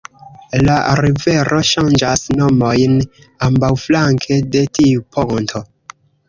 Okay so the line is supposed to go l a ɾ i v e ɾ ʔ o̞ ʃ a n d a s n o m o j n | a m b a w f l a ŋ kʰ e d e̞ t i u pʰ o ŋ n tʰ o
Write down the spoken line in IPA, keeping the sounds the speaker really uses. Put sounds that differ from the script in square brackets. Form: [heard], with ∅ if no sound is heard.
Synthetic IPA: l a ɾ i v e ɾ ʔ o̞ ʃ a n [d͡ʒ] a s n o m o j n | a m b a w f l a ŋ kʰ e d e̞ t i u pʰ o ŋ n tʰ o